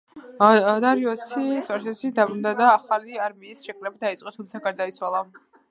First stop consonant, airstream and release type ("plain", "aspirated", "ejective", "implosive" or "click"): plain